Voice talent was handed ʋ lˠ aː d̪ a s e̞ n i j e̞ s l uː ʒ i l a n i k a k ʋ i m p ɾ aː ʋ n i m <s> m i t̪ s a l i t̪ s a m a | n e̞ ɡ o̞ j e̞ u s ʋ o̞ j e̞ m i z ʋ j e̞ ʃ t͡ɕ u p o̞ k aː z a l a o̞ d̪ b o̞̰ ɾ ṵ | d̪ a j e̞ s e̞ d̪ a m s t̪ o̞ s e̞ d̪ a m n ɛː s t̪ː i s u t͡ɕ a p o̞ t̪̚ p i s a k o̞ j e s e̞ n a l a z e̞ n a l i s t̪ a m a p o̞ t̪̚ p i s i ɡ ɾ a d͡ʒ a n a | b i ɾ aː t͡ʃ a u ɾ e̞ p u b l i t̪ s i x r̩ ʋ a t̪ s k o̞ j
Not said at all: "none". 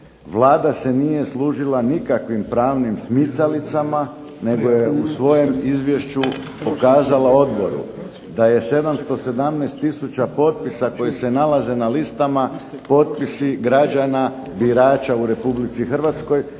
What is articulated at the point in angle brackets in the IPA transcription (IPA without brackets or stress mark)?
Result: s